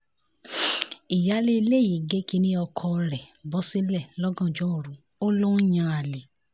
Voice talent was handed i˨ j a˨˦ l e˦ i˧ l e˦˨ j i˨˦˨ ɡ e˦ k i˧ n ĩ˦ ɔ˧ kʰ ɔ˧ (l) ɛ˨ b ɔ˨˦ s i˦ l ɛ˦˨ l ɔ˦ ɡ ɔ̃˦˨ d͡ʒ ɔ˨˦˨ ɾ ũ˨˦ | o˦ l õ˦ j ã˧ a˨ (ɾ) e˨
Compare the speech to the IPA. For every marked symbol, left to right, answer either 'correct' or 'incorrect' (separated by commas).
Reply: incorrect, incorrect